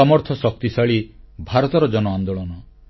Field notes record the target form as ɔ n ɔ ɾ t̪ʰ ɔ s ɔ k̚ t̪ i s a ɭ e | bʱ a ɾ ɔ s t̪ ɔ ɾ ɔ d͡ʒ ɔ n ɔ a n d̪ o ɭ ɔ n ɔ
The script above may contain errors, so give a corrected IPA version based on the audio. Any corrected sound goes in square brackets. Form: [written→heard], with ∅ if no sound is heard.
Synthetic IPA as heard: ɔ [n→m] ɔ ɾ t̪ʰ ɔ s ɔ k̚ t̪ i s a ɭ [e→i] | bʱ a ɾ ɔ [s→∅] t̪ ɔ ɾ ɔ d͡ʒ ɔ n ɔ a n d̪ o ɭ ɔ n ɔ